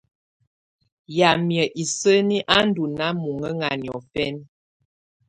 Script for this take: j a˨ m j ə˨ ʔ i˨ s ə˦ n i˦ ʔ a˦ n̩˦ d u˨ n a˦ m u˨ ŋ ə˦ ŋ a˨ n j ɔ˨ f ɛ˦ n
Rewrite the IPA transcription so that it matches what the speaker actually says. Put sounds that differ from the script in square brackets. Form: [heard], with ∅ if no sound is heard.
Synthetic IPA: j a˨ m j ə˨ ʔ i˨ s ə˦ n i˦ ʔ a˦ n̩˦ d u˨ n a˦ m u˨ ŋ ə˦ ŋ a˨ n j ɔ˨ f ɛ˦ n

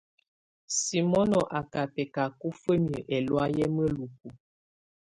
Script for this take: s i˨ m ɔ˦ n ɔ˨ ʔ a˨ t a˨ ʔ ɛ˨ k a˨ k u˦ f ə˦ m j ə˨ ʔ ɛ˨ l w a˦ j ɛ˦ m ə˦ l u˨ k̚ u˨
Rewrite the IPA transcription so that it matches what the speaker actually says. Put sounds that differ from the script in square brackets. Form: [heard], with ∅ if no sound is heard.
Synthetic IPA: s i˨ m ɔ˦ n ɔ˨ ʔ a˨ [k] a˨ [p] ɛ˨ k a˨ k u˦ f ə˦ m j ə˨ ʔ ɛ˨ l w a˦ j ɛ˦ m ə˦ l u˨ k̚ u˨

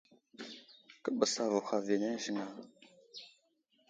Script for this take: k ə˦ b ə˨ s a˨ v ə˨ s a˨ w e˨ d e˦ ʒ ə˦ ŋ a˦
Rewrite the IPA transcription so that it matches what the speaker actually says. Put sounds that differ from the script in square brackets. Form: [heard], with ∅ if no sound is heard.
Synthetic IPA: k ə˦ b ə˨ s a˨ v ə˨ [x] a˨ [v] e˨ [n] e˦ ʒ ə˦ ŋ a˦

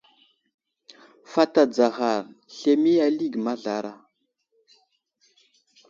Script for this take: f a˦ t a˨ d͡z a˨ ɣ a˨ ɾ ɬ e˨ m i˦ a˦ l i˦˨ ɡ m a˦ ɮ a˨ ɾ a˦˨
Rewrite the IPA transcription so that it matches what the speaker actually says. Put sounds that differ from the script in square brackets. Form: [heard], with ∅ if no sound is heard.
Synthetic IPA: f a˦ t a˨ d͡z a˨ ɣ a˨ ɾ ɬ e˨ m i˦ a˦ l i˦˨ ɡ m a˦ ɮ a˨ ɾ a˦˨

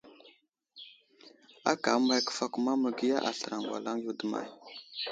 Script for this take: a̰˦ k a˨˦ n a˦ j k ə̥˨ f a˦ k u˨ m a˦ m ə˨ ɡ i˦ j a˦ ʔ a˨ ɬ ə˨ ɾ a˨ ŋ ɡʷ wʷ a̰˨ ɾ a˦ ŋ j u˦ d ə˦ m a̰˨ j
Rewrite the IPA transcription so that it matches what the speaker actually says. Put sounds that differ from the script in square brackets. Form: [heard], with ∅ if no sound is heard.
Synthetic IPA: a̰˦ k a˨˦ [m] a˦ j k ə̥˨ f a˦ k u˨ m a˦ m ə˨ ɡ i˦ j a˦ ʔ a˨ ɬ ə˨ ɾ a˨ ŋ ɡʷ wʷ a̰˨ [l] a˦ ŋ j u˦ d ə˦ m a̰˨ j

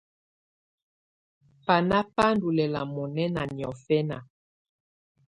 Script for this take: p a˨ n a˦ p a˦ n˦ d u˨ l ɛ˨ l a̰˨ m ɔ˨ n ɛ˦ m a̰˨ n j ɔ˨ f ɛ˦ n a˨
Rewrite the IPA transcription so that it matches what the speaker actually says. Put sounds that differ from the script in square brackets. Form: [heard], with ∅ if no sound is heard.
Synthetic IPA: p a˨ n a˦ p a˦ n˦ d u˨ l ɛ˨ l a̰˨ m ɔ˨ n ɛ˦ [n] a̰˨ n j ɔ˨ f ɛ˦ n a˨

